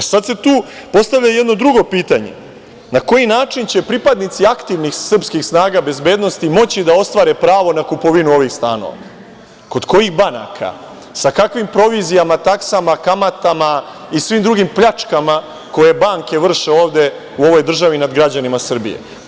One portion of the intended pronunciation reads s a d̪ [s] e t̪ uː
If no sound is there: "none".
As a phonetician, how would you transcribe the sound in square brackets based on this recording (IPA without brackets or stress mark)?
s